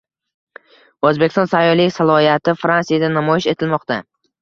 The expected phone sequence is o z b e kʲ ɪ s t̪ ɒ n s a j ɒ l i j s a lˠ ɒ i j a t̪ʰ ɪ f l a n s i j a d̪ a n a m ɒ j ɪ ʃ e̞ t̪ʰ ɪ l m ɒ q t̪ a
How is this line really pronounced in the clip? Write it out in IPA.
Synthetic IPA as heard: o z b e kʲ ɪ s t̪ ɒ n s a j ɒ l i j s a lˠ ɒ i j a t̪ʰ ɪ f ɾ a n s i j a d̪ a n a m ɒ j ɪ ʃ e̞ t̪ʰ ɪ l m ɒ q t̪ a